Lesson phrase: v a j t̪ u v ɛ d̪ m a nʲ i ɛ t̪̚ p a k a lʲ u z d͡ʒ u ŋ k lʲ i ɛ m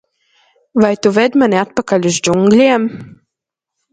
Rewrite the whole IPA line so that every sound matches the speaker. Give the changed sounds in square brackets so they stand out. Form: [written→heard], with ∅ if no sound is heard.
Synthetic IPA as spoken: v a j t̪ u v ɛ d̪ m a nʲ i [ɛ→a] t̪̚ p a k a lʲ u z d͡ʒ u ŋ [k→ɡ] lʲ i ɛ m